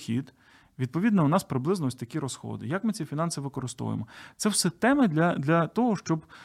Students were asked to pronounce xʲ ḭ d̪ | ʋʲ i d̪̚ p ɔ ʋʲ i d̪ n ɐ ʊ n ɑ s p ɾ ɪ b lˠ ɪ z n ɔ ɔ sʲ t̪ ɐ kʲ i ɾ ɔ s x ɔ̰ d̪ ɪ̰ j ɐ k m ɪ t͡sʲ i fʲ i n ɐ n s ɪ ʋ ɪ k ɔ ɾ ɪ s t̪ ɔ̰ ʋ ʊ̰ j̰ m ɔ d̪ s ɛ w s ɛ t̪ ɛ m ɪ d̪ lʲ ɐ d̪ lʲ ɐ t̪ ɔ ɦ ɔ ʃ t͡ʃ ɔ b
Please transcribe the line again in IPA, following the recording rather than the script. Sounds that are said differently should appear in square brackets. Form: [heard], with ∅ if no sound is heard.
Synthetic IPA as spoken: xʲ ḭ d̪ | ʋʲ i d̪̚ p ɔ ʋʲ i d̪ n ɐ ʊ n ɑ s p ɾ ɪ b lˠ ɪ z n ɔ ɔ sʲ t̪ ɐ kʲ i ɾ ɔ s x ɔ̰ d̪ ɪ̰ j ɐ k m ɪ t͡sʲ i fʲ i n [ɑ] n s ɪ ʋ ɪ k ɔ ɾ ɪ s t̪ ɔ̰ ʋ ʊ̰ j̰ m ɔ [t̪] s ɛ w s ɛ t̪ ɛ m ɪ d̪ lʲ ɐ d̪ lʲ ɐ t̪ ɔ ɦ ɔ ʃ t͡ʃ ɔ b